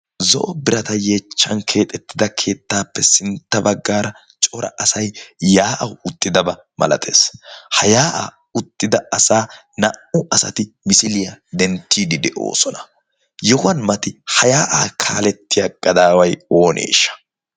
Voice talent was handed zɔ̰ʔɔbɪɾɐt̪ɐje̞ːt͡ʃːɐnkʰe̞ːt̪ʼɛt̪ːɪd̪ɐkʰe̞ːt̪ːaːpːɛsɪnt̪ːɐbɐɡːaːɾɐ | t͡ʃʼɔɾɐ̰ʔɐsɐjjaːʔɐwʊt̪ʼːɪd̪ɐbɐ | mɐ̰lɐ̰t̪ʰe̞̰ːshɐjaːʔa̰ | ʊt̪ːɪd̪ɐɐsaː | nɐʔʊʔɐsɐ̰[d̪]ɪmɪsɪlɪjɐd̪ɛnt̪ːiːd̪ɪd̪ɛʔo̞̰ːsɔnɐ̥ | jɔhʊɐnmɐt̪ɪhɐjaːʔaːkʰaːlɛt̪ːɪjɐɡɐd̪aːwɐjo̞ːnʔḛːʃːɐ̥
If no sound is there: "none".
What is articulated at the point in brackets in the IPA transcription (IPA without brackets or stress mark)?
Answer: t̪